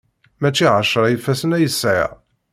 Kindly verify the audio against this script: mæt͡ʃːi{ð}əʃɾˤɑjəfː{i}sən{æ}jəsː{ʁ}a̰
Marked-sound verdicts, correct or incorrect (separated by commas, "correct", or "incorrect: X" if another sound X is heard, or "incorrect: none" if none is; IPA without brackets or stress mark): incorrect: ʕ, incorrect: æ, correct, incorrect: ʕ